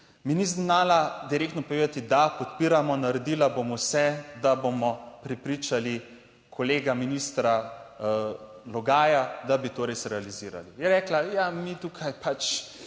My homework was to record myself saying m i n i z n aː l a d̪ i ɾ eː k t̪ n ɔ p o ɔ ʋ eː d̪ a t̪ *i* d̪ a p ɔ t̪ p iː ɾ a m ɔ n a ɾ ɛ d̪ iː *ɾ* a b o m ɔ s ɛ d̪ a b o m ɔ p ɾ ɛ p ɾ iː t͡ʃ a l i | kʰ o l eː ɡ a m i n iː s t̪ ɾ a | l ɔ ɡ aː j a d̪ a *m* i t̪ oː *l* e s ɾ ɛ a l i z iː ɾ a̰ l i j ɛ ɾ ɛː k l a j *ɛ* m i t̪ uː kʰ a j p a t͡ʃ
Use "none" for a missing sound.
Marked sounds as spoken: i, l, b, ɾ, a

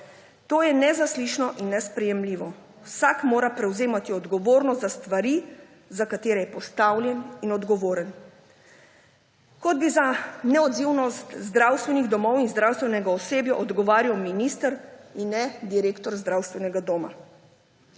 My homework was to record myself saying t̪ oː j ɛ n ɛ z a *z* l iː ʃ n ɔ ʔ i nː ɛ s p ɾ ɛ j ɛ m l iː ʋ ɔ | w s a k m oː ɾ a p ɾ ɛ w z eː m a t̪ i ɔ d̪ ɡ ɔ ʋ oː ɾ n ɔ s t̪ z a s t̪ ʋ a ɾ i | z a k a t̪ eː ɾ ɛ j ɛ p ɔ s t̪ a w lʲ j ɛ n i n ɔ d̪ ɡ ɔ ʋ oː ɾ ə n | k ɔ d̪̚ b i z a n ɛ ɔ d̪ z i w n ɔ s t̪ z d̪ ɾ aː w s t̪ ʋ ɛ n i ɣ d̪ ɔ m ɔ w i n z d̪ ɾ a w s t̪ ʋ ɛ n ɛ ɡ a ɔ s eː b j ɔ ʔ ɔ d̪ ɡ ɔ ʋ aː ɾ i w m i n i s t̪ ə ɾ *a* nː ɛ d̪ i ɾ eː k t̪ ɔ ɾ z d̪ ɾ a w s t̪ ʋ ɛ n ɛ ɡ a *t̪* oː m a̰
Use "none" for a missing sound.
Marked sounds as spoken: s, i, d̪

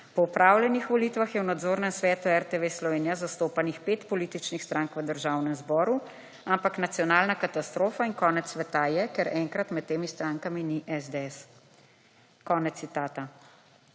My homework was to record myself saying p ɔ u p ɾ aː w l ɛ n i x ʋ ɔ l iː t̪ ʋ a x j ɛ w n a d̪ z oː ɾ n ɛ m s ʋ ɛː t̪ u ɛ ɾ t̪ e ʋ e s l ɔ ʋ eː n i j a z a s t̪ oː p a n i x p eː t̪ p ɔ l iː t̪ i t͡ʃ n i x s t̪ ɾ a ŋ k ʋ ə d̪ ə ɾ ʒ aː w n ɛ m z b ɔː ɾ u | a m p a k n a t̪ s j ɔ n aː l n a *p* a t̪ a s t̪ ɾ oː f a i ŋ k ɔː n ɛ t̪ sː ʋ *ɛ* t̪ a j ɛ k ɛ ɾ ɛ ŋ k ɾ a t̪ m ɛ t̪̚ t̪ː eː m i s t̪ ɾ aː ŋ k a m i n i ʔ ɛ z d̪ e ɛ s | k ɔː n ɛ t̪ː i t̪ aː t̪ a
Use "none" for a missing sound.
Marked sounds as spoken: k, ɛ

